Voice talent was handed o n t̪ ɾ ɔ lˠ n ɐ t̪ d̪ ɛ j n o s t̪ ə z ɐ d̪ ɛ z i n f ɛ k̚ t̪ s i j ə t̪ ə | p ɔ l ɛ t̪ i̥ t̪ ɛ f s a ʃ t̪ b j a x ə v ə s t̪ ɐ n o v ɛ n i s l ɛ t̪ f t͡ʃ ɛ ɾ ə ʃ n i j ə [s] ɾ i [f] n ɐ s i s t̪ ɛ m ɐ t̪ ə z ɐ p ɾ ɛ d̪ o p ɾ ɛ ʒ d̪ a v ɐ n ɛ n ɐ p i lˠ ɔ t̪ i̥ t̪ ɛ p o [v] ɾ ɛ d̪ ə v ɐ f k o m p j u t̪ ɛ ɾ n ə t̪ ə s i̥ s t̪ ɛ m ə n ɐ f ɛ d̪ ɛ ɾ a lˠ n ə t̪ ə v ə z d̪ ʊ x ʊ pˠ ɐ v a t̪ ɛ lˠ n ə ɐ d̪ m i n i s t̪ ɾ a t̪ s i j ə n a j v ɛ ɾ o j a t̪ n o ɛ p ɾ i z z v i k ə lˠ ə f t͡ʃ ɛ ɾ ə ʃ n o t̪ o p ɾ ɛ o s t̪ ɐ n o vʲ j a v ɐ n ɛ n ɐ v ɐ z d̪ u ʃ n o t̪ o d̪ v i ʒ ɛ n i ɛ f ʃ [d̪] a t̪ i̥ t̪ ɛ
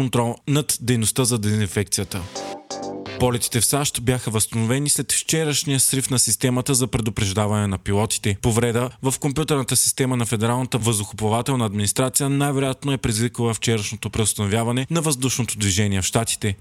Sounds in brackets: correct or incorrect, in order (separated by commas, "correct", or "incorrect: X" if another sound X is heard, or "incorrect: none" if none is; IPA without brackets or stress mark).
correct, correct, correct, incorrect: t̪